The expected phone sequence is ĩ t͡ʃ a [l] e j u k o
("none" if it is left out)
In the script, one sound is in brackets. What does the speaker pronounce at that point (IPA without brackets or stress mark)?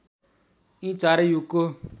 ɾ